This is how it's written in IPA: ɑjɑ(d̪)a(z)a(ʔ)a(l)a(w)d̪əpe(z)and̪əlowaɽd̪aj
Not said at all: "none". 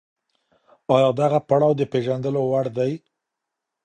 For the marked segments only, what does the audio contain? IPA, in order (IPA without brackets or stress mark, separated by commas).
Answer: d̪, ɣ, p, ɽ, w, ʒ